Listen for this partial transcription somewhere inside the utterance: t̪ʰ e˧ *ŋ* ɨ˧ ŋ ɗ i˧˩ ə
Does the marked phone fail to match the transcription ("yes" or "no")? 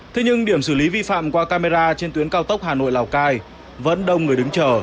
yes